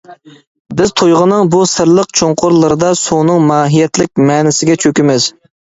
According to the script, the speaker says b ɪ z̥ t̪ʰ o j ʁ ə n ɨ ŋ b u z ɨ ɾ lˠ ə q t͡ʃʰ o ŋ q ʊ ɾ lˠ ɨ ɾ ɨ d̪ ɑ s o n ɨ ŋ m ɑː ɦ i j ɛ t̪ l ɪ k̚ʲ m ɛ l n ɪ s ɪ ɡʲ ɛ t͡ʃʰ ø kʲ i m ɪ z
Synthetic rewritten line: b ɪ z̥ t̪ʰ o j ʁ ə n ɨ ŋ b u s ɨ ɾ lˠ ə q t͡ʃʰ o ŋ q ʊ ɾ lˠ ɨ ɾ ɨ d̪ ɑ s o n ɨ ŋ m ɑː ɦ i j ɛ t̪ l ɪ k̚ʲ m ɛ n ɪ s ɪ ɡʲ ɛ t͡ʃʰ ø kʲ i m ɪ z